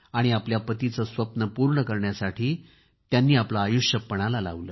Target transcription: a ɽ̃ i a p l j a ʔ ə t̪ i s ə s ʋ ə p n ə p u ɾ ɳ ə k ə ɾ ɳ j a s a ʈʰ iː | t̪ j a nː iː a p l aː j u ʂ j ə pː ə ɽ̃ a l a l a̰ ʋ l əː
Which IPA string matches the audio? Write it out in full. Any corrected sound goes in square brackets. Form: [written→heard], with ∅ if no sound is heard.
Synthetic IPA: a ɽ̃ i a p l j a [ʔ→p] ə t̪ i [s→t͡s] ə s ʋ ə p n ə p u ɾ ɳ ə k ə ɾ ɳ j a s a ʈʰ iː | t̪ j a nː iː a p l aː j u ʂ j ə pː ə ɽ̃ a l a l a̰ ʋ l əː